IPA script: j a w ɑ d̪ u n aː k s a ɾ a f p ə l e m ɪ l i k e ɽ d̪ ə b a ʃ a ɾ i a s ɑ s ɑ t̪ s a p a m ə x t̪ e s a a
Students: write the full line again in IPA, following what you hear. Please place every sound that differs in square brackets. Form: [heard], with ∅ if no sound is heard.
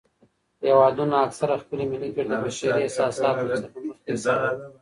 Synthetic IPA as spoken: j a w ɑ d̪ u n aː k s a ɾ a [x] p ə l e m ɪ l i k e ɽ d̪ ə b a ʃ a ɾ i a s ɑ s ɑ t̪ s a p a m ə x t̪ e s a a